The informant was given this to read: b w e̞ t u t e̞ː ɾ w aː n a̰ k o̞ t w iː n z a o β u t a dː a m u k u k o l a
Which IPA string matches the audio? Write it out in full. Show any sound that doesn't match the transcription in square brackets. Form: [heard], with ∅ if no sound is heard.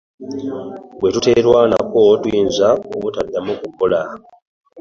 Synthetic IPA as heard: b w e̞ t u t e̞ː ɾ w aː n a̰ k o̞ t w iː n z a o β u t a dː a m u k u k o l a